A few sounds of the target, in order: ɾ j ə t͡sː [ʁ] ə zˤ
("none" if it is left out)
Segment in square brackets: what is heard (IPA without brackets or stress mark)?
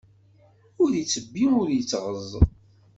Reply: ʁ